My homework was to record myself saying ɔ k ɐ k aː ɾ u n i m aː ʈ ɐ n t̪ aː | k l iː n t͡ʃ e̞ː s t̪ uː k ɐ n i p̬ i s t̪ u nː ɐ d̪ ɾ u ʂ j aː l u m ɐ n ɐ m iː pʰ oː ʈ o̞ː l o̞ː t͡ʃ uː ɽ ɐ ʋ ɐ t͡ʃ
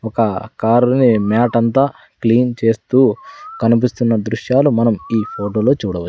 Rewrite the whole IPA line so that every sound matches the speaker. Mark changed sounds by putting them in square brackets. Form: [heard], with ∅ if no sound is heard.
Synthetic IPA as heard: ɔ k ɐ k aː ɾ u n i m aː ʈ ɐ n t̪ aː | k l iː n t͡ʃ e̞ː s t̪ uː k ɐ n i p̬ i s t̪ u nː ɐ d̪ ɾ u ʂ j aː l u m ɐ n ɐ m iː pʰ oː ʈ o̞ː l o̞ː t͡ʃ uː ɽ ɐ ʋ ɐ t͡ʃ